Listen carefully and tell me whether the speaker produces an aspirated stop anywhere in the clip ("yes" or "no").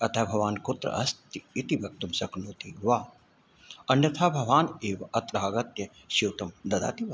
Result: yes